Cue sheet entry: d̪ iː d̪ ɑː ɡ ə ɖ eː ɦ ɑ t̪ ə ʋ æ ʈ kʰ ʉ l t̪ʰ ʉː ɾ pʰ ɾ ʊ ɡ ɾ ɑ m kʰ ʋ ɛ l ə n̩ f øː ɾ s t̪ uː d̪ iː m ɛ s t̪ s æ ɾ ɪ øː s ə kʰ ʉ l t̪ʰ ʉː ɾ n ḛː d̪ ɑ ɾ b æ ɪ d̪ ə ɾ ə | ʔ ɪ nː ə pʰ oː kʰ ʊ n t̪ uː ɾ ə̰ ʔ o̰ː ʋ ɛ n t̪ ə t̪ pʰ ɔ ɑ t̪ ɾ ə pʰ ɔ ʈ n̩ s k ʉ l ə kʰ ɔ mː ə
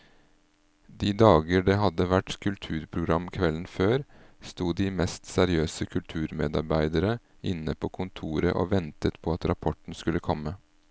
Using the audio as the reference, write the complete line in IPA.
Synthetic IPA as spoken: d̪ iː d̪ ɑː ɡ ə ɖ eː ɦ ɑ d̪ ə ʋ æ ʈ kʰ ʉ l t̪ʰ ʉː ɾ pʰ ɾ ʊ ɡ ɾ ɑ m kʰ ʋ ɛ l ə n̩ f øː ɾ s t̪ uː d̪ iː m ɛ s t̪ s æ ɾ ɪ øː s ə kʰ ʉ l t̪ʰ ʉː ɾ m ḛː d̪ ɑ ɾ b æ ɪ d̪ ə ɾ ə | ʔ ɪ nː ə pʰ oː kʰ ʊ n t̪ʰ uː ɾ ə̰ ʔ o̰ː ʋ ɛ n t̪ ə t̪ pʰ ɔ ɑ t̪ ɾ ɑ pʰ ɔ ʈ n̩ s k ʉ l ə kʰ ɔ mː ə

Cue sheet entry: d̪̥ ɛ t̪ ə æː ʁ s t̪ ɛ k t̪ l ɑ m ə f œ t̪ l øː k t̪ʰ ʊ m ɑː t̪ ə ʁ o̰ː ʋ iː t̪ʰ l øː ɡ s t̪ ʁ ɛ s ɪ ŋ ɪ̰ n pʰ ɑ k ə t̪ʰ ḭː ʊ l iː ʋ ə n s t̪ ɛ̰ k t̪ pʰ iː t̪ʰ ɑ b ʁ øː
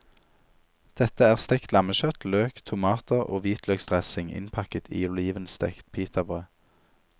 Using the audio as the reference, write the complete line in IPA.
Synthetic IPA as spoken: d̪̥ ɛ t̪ ə æː ʁ s t̪ ɛ k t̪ l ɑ m ə ʃ œ t̪ l øː k t̪ʰ ʊ m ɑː t̪ ə ʁ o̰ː ʋ iː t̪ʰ l øː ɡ s t̪ ʁ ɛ s ɪ ŋ ɪ̰ n pʰ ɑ k ə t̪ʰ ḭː ʊ l iː ʋ ə n s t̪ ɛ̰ k t̪ pʰ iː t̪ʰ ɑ b ʁ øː

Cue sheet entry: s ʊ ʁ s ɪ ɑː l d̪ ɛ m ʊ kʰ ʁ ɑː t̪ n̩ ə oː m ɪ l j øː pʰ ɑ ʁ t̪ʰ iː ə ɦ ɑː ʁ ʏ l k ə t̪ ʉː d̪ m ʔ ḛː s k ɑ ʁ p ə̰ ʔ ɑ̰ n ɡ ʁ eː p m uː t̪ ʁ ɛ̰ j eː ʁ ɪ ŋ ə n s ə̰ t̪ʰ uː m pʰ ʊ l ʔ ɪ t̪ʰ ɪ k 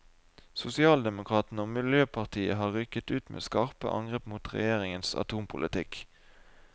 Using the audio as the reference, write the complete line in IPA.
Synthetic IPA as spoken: s ʊ s ɪ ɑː l d̪ ɛ m ʊ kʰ ʁ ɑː t̪ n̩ ə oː m ɪ l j øː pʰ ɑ ʁ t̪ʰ iː ə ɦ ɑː ʁ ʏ k ə t̪ ʉː t̪ m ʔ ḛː s k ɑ ʁ p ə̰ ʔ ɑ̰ ŋ ɡ ʁ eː p m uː t̪ ʁ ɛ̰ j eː ʁ ɪ ŋ ə n s ɑ̰ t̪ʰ uː m pʰ ʊ l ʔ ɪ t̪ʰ ɪ k

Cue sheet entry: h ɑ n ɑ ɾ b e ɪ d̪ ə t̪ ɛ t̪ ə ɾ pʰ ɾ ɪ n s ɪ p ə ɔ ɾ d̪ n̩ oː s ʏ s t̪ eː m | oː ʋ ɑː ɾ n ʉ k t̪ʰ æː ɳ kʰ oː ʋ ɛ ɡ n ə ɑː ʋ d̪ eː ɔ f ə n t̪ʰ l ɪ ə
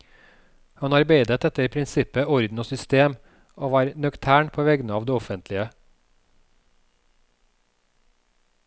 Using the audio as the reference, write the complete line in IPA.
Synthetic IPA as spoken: h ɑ n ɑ ɾ b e ɪ d̪ ə t̪ ɛ t̪ ə ɾ pʰ ɾ ɪ n s ɪ p ə ɔ ɾ d̪ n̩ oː s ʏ s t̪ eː m | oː ʋ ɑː ɾ n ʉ k t̪ʰ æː ɳ pʰ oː ʋ ɛ ɡ n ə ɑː ʋ d̪ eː ɔ f ə n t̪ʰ l ɪ ə

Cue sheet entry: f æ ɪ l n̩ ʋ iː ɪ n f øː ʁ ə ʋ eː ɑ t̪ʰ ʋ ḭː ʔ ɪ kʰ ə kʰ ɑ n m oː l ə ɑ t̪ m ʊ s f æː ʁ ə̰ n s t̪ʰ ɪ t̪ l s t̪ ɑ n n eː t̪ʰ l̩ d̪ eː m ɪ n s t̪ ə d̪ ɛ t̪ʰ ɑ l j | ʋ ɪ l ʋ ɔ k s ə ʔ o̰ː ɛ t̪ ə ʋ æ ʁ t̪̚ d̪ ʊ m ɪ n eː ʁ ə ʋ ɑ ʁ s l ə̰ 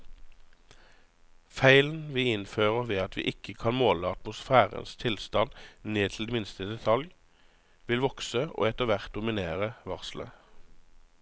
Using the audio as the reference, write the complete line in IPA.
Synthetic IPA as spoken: f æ ɪ l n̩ ʋ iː ɪ n f øː ʁ ə ʋ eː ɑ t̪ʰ ʋ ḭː ʔ ɪ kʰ ə kʰ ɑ n m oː l ə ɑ t̪ m ʊ s f æː ʁ ə̰ n s t̪ʰ ɪ l s t̪ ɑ n n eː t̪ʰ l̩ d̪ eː m ɪ n s t̪ ə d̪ ɛ t̪ʰ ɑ l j | ʋ ɪ l ʋ ɔ k s ə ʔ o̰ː ɛ t̪ ə ʋ æ ʁ t̪̚ d̪ ʊ m ɪ n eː ʁ ə ʋ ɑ ʁ s l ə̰

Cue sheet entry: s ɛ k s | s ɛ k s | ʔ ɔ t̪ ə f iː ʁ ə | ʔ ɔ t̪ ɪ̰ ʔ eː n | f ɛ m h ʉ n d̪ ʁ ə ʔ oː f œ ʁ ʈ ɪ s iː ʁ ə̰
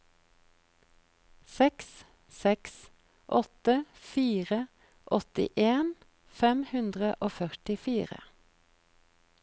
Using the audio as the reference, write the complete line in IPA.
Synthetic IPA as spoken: s ɛ k s | s ɛ k s | ʔ ɔ t̪ ə f iː ʁ ə | ʔ ɔ t̪ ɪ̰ ʔ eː n | f ɛ m h ʉ n d̪ ʁ ə ʔ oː f œ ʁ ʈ ɪ f iː ʁ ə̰

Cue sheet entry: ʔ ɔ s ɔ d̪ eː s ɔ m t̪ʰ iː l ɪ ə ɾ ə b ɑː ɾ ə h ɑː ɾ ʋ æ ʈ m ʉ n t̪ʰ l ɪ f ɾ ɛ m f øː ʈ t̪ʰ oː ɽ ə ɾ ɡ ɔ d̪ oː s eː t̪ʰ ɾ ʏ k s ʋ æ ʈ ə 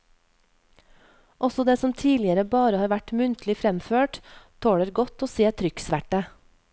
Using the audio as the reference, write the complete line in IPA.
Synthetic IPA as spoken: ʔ ɔ s ɔ d̪ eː s ɔ m t̪ʰ iː l ɪ ə ɾ ə b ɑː ɾ ə h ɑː ɾ ʋ æ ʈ m ʉ n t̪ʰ l ɪ f ɾ ɛ m f øː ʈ t̪ʰ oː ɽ ə ɾ ɡ ɔ t̪ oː s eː t̪ʰ ɾ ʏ k s ʋ æ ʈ ə

